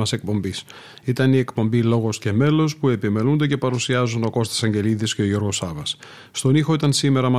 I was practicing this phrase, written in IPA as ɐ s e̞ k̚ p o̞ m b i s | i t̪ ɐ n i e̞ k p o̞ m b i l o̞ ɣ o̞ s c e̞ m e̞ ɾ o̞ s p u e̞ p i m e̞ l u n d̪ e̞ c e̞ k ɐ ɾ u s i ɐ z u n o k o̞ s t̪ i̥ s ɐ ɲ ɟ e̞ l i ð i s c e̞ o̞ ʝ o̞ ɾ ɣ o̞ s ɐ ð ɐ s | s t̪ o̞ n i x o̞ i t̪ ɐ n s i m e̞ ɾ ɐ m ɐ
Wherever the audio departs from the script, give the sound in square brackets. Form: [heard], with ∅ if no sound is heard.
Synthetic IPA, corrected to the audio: ɐ s e̞ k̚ p o̞ m b i s | i t̪ ɐ n i e̞ k p o̞ m b i l o̞ ɣ o̞ s c e̞ m e̞ [l] o̞ s p u e̞ p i m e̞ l u n d̪ e̞ c e̞ [p] ɐ ɾ u s i ɐ z u n o k o̞ s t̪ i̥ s ɐ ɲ ɟ e̞ l i ð i s c e̞ o̞ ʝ o̞ ɾ ɣ o̞ s ɐ [v] ɐ s | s t̪ o̞ n i x o̞ i t̪ ɐ n s i m e̞ ɾ ɐ m ɐ